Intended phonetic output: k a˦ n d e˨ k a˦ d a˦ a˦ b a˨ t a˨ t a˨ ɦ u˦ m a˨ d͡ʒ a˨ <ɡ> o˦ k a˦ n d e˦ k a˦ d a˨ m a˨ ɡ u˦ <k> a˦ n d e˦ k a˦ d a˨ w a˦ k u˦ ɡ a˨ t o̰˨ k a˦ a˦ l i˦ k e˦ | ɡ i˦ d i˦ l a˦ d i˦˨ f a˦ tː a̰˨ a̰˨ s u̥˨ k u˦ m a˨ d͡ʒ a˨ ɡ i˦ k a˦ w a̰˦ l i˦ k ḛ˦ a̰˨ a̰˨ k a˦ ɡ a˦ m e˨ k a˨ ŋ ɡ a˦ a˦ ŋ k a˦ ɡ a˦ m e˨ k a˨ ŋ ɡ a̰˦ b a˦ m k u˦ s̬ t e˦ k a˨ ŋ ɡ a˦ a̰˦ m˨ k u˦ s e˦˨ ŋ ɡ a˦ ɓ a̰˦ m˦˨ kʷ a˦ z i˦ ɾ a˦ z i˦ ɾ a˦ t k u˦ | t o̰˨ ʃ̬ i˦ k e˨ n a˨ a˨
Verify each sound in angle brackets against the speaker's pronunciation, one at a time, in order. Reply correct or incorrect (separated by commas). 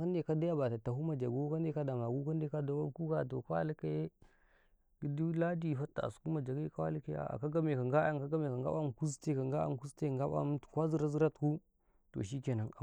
correct, correct